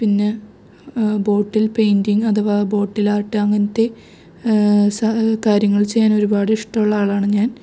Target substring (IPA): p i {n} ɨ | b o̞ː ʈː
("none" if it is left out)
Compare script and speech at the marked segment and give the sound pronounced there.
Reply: nː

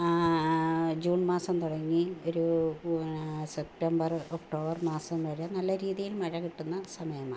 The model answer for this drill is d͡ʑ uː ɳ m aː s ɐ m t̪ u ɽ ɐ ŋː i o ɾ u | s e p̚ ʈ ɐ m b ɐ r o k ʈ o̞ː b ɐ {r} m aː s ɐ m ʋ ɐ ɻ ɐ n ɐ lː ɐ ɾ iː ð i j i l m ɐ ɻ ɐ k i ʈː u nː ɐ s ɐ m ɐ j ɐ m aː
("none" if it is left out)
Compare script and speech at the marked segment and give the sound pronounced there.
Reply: r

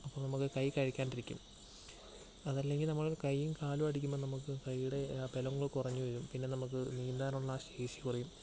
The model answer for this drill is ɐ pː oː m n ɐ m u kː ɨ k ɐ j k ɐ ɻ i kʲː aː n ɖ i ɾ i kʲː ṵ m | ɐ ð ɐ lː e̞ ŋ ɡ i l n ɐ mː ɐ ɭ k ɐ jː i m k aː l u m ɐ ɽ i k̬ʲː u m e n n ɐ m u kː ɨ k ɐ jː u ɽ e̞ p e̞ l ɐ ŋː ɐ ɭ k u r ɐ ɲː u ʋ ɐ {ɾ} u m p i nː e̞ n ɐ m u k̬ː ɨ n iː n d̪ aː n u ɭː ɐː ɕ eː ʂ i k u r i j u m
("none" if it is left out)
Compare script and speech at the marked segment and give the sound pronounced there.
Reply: ɾ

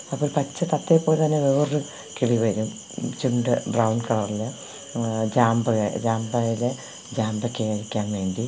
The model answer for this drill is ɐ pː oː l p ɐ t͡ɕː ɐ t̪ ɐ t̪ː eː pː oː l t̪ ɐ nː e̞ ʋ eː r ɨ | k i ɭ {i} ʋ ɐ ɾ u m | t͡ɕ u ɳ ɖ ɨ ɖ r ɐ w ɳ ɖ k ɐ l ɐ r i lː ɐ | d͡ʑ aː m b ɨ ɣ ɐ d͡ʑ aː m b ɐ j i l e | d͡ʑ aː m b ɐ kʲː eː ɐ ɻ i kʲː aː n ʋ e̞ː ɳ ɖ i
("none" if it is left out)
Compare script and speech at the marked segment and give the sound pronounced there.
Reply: i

